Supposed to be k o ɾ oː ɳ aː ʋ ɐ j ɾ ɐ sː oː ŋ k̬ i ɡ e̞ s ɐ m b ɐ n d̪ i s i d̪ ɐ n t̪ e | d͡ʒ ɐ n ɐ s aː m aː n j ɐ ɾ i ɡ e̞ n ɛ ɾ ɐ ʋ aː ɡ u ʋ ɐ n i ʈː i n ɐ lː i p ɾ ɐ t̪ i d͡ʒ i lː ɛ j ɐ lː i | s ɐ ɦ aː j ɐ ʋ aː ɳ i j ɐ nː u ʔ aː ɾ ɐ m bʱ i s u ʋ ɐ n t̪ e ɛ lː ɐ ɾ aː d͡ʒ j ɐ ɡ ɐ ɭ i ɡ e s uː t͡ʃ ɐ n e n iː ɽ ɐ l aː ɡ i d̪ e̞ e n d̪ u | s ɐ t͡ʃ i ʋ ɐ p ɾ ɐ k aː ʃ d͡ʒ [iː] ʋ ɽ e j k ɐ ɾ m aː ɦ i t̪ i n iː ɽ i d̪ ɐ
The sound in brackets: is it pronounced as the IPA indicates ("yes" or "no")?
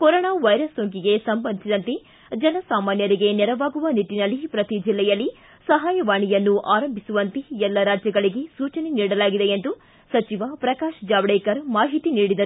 no